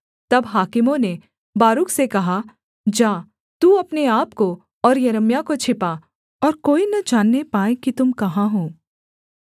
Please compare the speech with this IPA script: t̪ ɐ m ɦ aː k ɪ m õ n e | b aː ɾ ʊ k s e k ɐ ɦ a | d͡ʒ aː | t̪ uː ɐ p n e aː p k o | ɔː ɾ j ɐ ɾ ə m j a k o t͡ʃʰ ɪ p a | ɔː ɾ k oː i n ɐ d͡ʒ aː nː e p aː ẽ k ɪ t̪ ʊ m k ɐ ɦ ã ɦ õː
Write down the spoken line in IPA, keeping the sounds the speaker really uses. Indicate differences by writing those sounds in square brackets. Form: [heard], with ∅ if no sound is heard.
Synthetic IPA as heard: t̪ ɐ [b] ɦ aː k ɪ m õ n e | b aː ɾ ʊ k s e k ɐ ɦ a | d͡ʒ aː | t̪ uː ɐ p n e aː p k o | ɔː ɾ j ɐ ɾ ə m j a k o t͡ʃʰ ɪ p a | ɔː ɾ k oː i n ɐ d͡ʒ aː nː e p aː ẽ k [i] t̪ ʊ m k ɐ ɦ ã ɦ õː